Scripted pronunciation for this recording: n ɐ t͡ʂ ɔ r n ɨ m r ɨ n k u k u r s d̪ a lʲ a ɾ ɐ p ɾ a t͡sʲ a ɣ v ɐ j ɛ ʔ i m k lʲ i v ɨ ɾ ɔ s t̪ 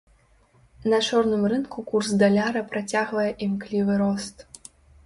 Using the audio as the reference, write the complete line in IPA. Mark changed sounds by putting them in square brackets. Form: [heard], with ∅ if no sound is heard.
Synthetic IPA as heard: n ɐ t͡ʂ ɔ r n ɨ m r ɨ n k u k u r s d̪ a lʲ a ɾ ɐ p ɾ a t͡sʲ a ɣ v ɐ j ɛ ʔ i m k lʲ i v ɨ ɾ ɔ s t̪